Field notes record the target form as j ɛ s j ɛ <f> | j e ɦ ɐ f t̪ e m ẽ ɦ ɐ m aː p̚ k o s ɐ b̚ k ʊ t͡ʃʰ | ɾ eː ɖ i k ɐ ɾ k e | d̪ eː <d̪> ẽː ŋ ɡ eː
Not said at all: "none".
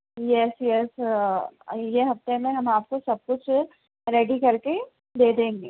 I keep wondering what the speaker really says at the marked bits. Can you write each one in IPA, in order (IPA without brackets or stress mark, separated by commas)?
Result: s, d̪